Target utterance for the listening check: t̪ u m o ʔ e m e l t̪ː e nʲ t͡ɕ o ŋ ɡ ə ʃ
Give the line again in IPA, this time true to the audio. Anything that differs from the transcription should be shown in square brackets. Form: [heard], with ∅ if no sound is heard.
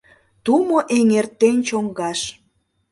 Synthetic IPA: t̪ u m o ʔ e [ŋ] e [r] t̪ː e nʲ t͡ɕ o ŋ ɡ [ɑ] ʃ